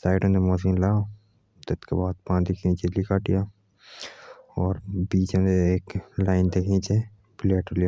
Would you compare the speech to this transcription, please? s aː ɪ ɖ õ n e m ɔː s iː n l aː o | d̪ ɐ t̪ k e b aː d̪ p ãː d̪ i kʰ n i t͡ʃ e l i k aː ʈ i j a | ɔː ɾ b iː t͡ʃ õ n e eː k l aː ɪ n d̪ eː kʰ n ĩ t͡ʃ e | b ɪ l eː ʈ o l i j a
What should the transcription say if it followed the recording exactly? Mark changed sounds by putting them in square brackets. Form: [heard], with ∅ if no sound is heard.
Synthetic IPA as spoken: s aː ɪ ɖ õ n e m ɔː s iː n l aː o | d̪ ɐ t̪ k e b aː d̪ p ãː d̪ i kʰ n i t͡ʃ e l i k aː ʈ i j a | ɔː ɾ b iː t͡ʃ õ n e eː k l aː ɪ n d̪ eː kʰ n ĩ t͡ʃ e | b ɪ l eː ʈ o l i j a